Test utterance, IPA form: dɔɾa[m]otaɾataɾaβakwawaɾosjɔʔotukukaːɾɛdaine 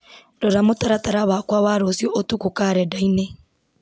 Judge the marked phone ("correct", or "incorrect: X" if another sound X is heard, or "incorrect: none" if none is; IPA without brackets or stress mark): correct